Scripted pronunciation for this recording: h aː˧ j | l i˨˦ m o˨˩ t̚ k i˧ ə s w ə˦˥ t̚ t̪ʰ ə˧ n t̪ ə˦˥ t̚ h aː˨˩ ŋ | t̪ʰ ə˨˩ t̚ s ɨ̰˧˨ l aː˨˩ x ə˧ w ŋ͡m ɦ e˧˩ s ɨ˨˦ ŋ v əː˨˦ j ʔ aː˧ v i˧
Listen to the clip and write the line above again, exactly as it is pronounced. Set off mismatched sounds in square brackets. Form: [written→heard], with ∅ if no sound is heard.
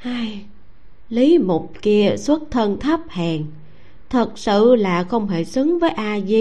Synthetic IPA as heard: h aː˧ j | l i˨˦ m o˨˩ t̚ k i˧ ə s w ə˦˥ t̚ t̪ʰ ə˧ n [t̪→t̪ʰ] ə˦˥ [t̚→p̚] h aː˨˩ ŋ | t̪ʰ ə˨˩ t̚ s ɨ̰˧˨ l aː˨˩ x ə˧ w ŋ͡m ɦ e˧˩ s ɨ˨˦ ŋ v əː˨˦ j ʔ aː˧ [v→z] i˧